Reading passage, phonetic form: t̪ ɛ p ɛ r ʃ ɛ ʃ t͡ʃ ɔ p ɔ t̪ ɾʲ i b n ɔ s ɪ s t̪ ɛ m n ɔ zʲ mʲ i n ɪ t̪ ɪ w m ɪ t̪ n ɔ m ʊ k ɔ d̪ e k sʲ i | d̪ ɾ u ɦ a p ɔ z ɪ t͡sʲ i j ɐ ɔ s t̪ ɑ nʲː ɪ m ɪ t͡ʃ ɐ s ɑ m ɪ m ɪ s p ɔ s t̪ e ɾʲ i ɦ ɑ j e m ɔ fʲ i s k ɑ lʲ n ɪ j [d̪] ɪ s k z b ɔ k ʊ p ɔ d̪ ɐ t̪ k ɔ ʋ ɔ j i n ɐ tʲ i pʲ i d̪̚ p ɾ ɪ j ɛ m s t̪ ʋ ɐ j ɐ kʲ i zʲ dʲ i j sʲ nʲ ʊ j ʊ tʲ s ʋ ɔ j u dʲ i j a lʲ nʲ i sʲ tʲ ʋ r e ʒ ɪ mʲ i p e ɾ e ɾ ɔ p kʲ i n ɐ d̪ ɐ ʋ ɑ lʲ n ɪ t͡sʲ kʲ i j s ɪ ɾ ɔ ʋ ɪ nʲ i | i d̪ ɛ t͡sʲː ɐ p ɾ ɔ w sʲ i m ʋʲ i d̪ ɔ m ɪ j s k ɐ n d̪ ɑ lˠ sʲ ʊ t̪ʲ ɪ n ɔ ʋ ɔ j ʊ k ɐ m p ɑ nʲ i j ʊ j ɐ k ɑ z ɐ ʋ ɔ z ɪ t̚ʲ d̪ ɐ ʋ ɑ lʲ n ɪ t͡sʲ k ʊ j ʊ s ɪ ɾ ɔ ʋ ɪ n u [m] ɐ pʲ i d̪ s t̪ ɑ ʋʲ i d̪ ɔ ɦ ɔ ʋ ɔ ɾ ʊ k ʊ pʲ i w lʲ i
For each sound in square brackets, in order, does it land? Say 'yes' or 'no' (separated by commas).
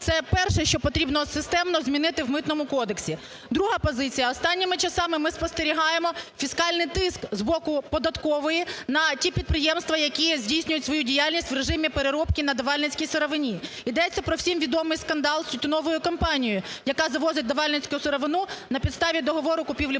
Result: no, no